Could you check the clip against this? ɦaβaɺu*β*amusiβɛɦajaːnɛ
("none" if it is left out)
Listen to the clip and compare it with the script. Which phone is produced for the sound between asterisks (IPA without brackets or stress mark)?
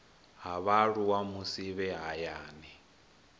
w